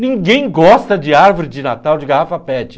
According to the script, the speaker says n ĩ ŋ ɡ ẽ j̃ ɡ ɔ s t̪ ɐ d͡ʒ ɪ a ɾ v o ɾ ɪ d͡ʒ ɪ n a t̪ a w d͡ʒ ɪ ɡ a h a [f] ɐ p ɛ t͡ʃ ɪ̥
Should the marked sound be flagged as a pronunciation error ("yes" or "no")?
no